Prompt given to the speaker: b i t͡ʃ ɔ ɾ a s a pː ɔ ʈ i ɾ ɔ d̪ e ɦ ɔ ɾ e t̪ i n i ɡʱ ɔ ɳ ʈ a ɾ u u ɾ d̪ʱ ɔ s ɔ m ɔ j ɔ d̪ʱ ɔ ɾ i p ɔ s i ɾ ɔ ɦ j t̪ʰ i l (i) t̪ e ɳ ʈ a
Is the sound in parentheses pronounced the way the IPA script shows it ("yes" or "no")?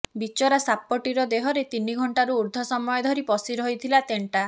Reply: no